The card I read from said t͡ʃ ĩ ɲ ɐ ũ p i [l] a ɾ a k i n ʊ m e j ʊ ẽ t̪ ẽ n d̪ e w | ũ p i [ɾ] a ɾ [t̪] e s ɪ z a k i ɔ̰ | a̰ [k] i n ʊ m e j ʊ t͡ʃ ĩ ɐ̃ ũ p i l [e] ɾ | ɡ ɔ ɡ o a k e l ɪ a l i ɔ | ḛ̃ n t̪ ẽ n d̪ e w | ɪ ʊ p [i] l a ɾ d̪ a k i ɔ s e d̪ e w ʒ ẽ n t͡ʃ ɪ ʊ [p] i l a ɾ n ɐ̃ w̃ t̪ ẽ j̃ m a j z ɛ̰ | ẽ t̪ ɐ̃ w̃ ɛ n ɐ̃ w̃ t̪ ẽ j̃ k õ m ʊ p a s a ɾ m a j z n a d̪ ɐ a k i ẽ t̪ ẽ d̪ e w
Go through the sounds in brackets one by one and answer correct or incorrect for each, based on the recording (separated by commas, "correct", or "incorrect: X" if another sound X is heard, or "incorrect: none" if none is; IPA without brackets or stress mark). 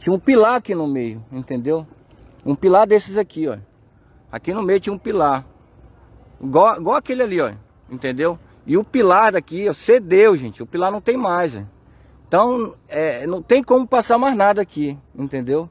correct, incorrect: l, incorrect: d̪, correct, incorrect: a, correct, correct